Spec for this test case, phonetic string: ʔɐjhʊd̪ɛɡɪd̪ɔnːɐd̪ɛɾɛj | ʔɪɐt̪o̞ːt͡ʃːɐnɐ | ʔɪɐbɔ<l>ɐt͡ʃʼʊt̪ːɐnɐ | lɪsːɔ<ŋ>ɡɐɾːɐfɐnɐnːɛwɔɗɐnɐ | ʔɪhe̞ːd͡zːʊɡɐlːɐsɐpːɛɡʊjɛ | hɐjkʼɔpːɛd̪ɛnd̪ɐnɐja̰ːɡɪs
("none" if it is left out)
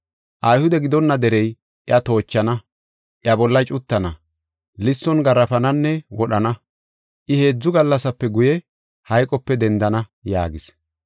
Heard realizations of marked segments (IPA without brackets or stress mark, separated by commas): lː, n